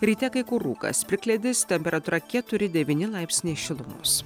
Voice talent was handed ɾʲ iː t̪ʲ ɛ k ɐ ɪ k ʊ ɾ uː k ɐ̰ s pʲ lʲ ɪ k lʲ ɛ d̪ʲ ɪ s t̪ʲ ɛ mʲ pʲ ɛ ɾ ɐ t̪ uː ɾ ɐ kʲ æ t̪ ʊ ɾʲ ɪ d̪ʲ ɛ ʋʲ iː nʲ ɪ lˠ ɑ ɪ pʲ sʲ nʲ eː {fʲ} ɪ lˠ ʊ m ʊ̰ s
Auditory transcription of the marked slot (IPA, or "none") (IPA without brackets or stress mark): ʃʲ